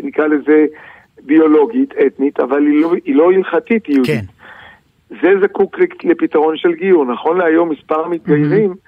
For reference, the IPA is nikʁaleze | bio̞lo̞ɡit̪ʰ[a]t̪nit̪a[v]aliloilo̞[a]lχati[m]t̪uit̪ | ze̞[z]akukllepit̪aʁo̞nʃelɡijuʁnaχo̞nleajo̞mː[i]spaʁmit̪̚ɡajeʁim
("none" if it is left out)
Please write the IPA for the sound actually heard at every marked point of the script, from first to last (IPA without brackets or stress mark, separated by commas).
e, v, i, none, z, i